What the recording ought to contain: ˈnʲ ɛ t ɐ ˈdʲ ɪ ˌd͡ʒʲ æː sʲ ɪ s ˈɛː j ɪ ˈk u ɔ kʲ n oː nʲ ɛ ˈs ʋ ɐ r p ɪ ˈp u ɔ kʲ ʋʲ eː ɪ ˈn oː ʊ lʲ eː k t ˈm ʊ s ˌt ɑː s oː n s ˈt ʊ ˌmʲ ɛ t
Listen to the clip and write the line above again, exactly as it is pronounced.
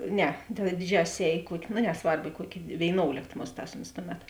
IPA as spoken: ˈnʲ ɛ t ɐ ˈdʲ ɪ ˌd͡ʒʲ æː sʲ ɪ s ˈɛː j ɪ ˈk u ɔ kʲ n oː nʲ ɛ ˈs ʋ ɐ r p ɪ ˈk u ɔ kʲ ʋʲ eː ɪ ˈn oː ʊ lʲ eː k t ˈm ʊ s ˌt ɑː s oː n s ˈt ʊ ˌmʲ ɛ t